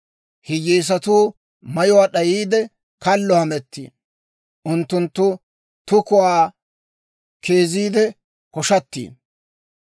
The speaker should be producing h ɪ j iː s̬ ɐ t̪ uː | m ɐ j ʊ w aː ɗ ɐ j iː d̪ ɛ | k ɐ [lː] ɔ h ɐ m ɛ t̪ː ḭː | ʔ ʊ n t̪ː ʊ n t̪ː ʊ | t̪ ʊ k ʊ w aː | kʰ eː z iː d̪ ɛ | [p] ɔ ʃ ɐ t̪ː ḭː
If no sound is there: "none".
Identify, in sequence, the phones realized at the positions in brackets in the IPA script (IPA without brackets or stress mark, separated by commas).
lː, k